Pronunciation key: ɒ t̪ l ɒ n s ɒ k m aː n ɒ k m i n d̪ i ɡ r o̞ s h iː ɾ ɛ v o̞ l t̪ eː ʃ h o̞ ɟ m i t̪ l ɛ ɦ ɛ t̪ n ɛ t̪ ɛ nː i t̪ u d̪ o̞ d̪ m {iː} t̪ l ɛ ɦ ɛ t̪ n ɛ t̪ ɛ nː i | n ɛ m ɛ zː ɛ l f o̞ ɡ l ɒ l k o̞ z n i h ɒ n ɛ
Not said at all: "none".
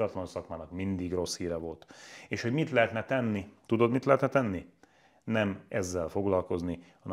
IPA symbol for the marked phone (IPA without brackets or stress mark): i